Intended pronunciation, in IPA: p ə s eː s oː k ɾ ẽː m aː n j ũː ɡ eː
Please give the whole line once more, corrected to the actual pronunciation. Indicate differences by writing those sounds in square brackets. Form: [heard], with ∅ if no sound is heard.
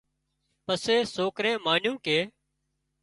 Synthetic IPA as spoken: p ə s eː s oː k ɾ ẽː m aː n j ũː [k] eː